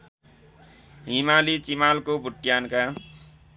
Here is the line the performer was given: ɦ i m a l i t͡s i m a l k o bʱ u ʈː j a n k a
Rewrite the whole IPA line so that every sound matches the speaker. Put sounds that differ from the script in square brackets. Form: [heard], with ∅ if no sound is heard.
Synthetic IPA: ɦ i m a l i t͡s i m a l k o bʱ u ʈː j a n k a